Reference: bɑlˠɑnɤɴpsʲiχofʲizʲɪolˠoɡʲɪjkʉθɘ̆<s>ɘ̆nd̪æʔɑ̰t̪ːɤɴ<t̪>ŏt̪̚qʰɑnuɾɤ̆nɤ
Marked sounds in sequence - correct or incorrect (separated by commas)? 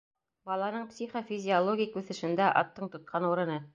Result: incorrect, correct